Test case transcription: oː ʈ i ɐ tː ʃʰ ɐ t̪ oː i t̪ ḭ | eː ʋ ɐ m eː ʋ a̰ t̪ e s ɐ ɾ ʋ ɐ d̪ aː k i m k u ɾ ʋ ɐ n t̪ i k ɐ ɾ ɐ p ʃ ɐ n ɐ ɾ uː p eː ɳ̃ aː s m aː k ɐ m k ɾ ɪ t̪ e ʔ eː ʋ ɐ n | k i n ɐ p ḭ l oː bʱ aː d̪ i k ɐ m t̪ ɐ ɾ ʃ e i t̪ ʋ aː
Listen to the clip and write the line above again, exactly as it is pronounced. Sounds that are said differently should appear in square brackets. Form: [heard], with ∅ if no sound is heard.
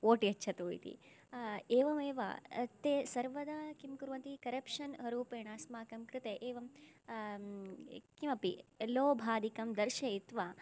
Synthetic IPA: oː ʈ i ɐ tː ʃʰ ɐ t̪ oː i t̪ ḭ | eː ʋ ɐ m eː ʋ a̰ t̪ e s ɐ ɾ ʋ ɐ d̪ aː k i m k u ɾ ʋ ɐ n t̪ i k ɐ ɾ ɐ p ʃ ɐ n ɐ ɾ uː p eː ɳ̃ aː s m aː k ɐ m k ɾ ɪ t̪ e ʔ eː ʋ ɐ [m] | k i [m] ɐ p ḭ l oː bʱ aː d̪ i k ɐ m [d̪] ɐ ɾ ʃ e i t̪ ʋ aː